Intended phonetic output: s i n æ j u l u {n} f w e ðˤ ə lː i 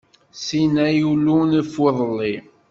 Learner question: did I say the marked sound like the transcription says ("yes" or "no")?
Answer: yes